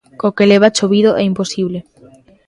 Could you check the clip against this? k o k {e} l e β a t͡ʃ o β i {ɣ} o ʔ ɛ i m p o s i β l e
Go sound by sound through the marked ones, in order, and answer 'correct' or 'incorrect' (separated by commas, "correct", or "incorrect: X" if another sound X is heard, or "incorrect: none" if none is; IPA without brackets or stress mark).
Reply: correct, incorrect: ð